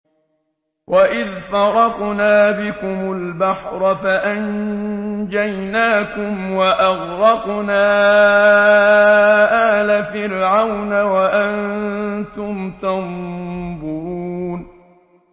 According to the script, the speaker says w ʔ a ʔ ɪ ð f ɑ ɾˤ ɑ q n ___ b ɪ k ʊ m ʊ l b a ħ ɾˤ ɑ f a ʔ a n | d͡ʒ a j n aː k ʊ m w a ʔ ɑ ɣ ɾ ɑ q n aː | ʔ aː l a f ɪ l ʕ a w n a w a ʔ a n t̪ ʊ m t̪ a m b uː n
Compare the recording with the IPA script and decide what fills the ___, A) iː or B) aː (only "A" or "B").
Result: B